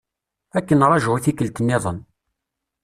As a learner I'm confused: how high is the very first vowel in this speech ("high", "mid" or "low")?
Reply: low